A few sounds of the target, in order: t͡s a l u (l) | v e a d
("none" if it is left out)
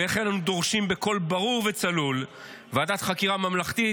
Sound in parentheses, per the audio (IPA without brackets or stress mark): l